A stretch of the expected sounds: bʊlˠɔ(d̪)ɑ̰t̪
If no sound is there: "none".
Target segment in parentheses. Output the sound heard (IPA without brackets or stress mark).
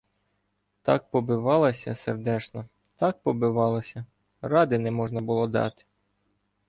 d̪